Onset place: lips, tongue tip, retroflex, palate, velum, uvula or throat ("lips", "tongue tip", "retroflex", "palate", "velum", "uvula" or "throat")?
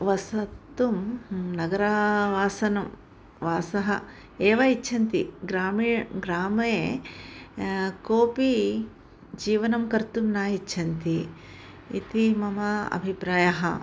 lips